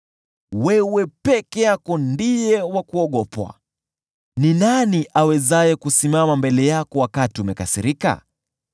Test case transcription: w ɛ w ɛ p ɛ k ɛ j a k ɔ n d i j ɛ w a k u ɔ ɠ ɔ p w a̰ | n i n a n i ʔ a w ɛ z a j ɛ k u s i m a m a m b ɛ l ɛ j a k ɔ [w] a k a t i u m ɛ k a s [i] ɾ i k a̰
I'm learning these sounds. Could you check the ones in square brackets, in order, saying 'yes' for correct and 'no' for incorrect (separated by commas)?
yes, yes